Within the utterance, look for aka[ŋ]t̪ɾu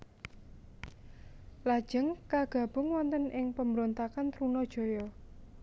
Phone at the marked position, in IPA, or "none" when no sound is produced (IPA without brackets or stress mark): n